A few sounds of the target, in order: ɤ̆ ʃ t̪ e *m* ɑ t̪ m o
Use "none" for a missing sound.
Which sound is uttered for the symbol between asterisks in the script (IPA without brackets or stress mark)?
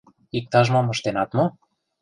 n